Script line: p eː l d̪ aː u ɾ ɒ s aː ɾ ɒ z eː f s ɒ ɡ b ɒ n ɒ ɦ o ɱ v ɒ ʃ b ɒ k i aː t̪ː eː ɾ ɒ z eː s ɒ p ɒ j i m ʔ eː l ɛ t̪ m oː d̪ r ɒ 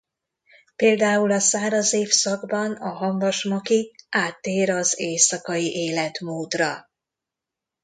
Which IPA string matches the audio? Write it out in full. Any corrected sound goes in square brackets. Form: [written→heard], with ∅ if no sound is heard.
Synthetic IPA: p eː l d̪ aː u [ɾ→l] ɒ s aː ɾ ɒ z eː f s ɒ ɡ b ɒ n ɒ ɦ [o→ɒ] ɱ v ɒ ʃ [b→m] ɒ k i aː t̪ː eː ɾ ɒ z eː s ɒ [p→k] ɒ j i [m→∅] ʔ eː l ɛ t̪ m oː d̪ r ɒ